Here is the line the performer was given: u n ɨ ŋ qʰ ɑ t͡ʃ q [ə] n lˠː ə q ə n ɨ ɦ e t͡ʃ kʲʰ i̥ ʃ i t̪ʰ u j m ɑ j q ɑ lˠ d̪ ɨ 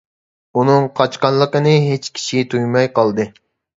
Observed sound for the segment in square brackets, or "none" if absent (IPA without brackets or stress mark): ɑ